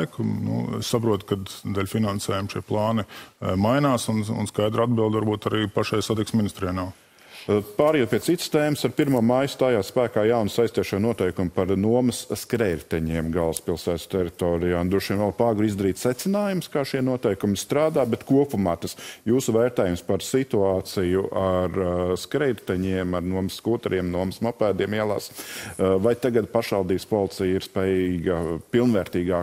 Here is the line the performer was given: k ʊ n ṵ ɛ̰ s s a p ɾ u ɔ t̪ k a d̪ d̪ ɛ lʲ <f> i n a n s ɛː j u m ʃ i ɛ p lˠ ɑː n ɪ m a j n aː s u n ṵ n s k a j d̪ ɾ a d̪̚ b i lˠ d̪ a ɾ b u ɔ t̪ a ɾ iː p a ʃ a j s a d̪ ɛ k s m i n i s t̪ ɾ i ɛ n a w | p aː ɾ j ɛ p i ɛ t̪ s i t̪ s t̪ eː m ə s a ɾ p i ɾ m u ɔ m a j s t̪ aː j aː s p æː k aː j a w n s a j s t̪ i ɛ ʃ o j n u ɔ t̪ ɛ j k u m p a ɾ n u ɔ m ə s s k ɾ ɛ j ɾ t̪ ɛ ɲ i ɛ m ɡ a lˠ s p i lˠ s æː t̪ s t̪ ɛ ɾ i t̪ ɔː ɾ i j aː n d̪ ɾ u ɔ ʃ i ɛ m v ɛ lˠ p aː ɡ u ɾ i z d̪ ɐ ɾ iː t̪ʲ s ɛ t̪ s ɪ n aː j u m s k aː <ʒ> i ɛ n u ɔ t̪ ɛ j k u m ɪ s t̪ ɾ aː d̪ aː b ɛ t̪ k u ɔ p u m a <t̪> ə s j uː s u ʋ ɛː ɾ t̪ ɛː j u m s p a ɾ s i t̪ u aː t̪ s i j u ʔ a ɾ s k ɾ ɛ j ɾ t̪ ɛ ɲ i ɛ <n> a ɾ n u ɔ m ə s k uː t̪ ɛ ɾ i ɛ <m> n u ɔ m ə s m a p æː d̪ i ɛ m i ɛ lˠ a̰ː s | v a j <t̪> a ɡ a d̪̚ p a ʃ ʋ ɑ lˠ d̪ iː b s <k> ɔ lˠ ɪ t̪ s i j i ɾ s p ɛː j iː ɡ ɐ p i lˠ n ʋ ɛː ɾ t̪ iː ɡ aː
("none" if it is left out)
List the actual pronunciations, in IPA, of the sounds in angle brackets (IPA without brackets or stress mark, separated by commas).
f, ʃ, t̪, m, m, t̪, p